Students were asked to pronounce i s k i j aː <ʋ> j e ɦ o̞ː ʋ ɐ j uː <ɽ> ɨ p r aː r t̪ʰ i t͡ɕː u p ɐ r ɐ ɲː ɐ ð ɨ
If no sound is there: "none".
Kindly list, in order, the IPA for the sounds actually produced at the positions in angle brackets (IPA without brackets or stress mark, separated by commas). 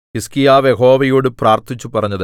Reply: ʋ, ɽ